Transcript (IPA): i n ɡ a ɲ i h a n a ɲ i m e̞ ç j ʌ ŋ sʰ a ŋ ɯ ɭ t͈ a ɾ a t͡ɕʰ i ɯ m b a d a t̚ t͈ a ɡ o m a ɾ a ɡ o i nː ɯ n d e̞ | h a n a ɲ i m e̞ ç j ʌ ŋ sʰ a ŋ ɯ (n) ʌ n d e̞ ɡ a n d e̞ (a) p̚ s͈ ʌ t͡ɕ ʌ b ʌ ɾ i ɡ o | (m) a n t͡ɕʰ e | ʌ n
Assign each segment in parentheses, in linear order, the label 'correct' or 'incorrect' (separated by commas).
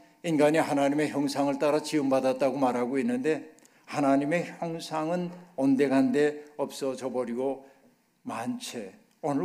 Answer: correct, incorrect, correct